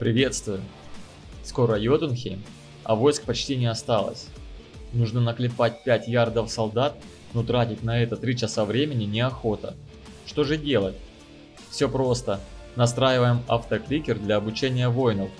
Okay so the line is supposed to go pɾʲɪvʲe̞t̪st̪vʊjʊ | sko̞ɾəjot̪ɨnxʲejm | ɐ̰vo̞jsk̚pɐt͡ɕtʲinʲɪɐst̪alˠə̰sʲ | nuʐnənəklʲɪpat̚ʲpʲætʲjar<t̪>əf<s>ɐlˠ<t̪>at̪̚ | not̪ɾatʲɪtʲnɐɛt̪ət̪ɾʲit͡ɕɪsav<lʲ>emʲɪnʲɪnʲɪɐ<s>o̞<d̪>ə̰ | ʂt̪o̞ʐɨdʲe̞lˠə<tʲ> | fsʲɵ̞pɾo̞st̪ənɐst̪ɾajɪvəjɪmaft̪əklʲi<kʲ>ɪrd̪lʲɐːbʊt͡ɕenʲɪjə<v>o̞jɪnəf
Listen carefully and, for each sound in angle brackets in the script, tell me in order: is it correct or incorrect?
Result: incorrect, correct, incorrect, incorrect, incorrect, incorrect, correct, correct, correct

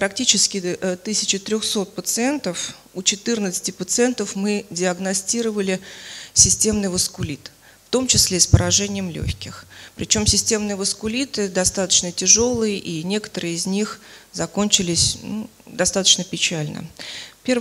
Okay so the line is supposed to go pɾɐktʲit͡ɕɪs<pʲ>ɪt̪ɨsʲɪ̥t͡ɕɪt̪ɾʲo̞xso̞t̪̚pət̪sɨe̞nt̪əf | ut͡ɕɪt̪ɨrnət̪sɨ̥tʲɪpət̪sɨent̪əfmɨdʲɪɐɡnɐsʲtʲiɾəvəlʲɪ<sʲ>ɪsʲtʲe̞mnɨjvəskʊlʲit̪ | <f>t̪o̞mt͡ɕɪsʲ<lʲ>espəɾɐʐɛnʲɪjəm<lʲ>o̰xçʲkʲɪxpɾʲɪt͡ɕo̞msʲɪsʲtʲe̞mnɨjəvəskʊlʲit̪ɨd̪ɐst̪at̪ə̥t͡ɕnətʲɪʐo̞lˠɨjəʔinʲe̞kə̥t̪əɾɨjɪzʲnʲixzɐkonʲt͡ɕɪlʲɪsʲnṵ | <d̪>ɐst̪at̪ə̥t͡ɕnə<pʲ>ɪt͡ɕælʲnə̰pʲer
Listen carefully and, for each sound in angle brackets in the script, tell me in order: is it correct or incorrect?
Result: incorrect, correct, correct, correct, correct, correct, correct

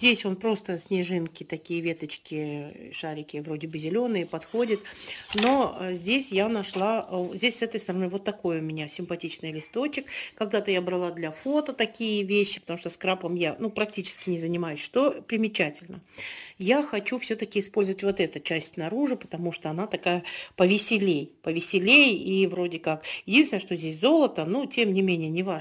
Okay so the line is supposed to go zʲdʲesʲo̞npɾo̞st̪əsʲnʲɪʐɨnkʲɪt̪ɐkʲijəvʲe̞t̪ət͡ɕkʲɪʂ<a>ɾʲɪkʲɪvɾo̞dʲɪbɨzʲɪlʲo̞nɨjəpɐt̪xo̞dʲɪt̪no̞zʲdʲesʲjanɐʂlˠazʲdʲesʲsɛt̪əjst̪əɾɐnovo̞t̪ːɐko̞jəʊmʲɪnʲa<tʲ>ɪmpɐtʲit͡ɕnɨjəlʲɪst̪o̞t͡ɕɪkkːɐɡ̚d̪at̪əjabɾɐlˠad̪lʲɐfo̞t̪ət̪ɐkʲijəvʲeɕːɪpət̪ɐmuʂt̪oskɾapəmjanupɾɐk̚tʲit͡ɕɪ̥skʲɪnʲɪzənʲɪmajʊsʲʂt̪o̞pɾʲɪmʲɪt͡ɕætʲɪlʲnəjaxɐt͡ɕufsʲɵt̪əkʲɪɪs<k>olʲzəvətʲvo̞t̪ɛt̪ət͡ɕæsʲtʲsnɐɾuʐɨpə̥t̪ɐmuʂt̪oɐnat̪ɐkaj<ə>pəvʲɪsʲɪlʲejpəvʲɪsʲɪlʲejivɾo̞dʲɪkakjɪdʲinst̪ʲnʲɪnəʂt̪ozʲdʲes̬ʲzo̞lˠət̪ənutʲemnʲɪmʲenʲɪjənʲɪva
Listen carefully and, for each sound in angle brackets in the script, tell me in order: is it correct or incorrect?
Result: correct, incorrect, incorrect, correct

